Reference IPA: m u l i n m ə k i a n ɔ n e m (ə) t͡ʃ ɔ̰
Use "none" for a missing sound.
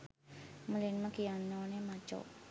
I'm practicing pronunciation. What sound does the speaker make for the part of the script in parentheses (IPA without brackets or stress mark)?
a